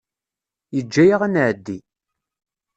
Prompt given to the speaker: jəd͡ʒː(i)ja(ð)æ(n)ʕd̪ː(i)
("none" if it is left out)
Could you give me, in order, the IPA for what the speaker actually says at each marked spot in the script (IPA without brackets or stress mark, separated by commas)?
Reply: æ, ʁ, n, i